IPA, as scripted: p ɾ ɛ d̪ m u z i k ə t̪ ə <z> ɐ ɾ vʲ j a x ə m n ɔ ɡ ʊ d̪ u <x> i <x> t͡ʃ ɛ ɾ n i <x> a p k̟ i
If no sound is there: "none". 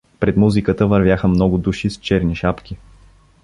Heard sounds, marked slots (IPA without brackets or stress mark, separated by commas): v, ʃ, s, ʃ